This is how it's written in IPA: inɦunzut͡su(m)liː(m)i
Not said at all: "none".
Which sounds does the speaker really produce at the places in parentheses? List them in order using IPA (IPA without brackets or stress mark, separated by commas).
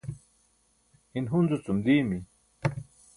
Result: m, m